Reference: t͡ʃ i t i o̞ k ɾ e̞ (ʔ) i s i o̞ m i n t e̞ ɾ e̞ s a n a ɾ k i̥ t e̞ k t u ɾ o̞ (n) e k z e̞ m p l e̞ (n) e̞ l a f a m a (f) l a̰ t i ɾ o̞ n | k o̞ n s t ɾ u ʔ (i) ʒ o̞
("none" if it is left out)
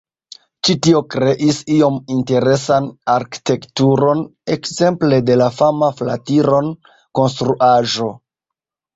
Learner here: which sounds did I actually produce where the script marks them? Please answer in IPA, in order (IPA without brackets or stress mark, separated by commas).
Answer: ʔ, n, d, f, a